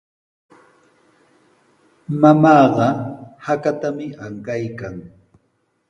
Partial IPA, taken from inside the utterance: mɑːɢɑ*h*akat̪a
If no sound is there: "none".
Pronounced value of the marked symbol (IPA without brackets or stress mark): h